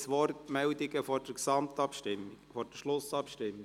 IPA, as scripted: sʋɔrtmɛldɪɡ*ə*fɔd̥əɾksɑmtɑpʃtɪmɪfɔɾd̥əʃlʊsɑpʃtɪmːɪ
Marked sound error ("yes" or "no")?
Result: no